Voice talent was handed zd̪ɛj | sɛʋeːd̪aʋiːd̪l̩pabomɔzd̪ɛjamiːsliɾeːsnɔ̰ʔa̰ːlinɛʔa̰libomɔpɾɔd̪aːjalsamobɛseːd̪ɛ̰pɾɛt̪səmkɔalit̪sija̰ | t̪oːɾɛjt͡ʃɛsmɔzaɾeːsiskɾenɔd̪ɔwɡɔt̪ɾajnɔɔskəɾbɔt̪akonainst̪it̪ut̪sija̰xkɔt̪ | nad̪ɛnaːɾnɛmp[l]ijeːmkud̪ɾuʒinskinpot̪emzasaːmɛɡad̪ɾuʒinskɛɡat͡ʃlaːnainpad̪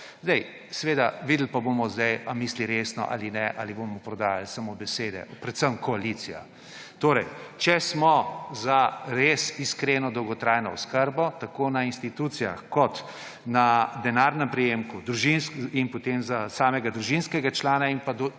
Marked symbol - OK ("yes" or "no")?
no